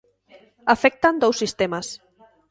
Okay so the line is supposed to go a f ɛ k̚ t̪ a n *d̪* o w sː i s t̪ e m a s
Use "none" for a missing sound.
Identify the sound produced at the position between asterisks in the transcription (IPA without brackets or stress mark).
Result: d̪